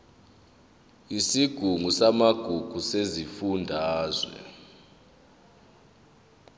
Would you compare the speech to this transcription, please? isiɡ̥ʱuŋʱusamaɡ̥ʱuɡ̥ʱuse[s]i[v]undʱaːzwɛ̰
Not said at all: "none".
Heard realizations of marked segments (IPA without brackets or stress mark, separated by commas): z, f